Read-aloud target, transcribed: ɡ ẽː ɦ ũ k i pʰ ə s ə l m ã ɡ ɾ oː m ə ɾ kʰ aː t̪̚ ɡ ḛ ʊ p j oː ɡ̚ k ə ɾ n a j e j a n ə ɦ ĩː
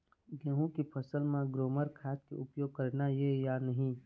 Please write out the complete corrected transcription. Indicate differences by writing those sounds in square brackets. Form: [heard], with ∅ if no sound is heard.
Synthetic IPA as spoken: ɡ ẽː ɦ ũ k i pʰ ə s ə l m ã ɡ ɾ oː m ə ɾ kʰ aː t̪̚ [k] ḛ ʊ p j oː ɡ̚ k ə ɾ n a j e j a n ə ɦ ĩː